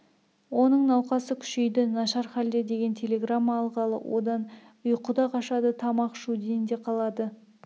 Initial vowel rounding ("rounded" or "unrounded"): rounded